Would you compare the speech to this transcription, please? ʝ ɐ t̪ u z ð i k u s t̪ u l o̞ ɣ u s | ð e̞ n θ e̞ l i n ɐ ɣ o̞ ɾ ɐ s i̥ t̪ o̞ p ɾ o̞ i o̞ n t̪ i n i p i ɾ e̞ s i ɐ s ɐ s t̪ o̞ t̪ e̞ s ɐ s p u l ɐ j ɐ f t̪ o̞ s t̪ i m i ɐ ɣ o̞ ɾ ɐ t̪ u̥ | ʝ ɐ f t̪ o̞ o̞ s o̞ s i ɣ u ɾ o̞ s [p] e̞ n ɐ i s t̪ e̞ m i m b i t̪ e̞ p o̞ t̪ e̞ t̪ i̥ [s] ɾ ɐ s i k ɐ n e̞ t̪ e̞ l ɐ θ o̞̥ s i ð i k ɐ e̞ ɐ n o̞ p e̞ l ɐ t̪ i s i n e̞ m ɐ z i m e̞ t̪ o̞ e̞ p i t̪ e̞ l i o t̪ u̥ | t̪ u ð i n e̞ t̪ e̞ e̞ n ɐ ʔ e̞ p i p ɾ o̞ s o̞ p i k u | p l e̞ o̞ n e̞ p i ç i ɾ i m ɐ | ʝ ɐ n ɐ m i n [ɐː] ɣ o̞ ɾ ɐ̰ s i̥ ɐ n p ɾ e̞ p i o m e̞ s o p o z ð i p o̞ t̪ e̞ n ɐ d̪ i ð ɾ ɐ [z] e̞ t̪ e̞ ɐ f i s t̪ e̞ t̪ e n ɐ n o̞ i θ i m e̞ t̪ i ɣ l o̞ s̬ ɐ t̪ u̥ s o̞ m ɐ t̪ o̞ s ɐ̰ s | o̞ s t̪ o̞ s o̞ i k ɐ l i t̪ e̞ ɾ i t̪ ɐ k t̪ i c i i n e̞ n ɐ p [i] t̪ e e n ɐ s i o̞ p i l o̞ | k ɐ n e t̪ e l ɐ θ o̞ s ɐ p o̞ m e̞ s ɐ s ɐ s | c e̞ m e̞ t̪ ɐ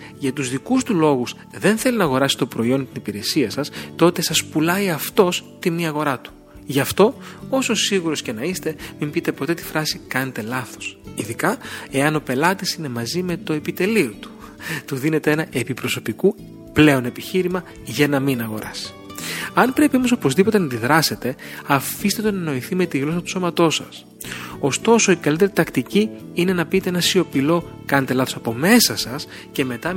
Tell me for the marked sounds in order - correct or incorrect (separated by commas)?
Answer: incorrect, incorrect, incorrect, incorrect, correct